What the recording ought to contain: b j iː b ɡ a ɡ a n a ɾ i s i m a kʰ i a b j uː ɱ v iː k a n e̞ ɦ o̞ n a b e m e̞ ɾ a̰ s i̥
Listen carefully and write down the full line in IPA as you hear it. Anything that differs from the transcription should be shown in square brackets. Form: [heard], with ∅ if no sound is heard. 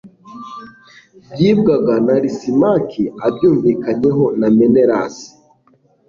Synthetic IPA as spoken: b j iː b ɡ a ɡ a n a ɾ i s i m a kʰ i a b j uː ɱ v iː k a [ɲ] e̞ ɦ o̞ n a [m] e [n] e̞ ɾ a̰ s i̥